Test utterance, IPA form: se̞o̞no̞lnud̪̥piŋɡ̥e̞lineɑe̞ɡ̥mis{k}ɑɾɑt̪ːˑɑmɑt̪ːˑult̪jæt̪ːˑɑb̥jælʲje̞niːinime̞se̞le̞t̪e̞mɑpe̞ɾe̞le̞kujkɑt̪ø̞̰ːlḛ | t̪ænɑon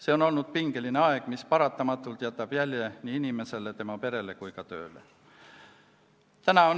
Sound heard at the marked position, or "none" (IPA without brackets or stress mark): p